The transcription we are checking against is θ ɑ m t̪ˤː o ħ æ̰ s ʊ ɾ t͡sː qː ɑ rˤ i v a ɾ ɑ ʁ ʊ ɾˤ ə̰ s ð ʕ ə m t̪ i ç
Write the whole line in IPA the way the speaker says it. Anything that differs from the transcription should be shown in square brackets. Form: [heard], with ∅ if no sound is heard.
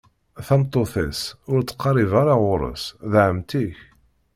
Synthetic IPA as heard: θ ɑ m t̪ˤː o [θ] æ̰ s ʊ ɾ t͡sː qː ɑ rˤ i v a ɾ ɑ ʁ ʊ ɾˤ ə̰ s ð ʕ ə m t̪ i ç